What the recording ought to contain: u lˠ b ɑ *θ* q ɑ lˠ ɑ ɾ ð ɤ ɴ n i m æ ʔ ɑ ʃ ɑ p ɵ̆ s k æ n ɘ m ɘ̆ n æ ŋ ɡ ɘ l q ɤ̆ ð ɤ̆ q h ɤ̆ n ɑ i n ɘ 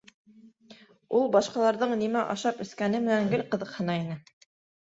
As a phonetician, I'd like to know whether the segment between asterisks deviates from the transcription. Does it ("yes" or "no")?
yes